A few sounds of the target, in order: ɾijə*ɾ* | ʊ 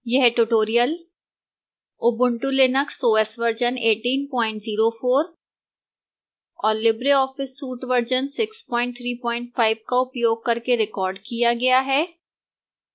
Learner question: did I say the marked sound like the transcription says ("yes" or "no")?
no